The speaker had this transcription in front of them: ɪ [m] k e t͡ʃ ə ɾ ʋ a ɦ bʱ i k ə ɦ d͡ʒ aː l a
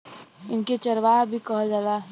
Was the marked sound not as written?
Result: yes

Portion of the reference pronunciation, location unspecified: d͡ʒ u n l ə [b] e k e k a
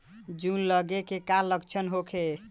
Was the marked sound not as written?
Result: yes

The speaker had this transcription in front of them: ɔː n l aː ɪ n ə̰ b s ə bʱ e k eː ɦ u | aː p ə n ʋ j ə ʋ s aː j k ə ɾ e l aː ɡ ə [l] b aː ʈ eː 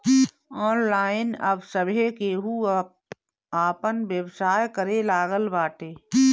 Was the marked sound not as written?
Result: no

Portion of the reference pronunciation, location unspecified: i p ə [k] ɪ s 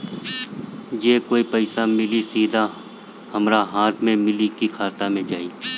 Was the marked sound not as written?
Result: yes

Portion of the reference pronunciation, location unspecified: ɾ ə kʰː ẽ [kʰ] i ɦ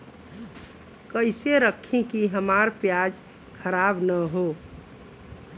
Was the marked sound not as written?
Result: yes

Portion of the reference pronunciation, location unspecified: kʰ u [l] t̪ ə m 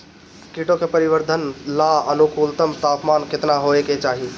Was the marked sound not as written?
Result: no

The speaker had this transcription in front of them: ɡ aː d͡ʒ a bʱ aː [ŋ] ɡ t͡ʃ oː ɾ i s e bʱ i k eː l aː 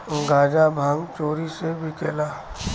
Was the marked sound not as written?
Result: no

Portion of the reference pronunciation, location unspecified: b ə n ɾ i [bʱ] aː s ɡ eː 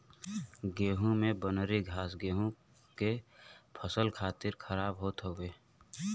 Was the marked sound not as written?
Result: yes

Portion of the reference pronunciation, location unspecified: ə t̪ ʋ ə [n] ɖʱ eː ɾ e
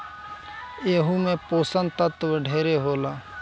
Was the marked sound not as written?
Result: yes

